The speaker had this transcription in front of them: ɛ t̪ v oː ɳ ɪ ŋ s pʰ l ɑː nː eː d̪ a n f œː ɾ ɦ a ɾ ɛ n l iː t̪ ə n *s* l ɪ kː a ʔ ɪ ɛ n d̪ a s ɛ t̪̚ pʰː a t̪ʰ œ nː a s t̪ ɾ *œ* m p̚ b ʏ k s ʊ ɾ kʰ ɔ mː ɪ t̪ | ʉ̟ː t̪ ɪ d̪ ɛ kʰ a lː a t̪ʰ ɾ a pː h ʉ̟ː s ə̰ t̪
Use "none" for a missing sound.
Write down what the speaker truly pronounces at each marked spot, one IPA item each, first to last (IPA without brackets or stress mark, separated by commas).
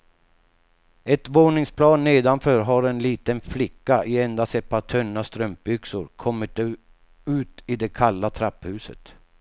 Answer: f, œ